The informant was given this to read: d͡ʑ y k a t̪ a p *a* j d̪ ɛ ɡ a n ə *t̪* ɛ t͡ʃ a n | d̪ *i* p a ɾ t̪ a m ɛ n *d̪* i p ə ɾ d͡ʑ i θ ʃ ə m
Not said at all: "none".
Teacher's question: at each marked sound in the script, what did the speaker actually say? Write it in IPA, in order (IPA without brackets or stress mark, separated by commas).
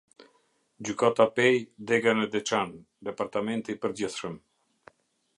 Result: ɛ, d̪, ɛ, t̪